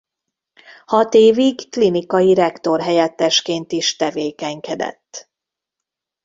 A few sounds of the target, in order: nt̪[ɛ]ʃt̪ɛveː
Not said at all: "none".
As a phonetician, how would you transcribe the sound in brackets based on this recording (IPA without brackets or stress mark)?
i